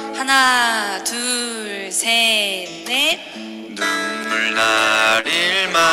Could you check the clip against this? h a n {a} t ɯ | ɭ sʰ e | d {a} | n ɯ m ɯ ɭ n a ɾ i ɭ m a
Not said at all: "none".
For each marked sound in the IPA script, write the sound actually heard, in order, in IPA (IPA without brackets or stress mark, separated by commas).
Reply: a, e